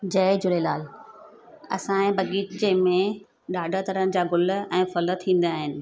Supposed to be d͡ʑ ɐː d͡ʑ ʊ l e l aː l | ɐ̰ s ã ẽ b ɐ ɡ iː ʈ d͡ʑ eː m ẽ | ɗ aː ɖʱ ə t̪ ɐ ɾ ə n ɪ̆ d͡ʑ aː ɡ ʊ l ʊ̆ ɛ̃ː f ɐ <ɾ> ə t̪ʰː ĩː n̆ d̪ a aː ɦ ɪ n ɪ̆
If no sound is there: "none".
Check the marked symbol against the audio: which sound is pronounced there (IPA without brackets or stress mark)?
l